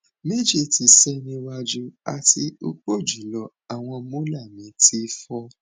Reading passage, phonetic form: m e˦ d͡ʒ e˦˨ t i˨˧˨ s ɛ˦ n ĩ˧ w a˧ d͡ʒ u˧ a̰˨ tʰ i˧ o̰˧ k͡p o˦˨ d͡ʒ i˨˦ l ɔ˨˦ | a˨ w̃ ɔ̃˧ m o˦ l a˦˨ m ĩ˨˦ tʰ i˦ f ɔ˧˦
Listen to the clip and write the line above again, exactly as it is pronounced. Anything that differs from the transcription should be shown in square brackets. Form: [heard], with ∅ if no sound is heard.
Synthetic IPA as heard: m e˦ d͡ʒ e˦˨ t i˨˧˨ s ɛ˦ n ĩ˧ w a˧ d͡ʒ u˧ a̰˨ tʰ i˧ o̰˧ k͡p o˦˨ d͡ʒ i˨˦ l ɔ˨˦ | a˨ w̃ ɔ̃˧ m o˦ l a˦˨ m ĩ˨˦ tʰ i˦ f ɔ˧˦